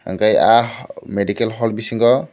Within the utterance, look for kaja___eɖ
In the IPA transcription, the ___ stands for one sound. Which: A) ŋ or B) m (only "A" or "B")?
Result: B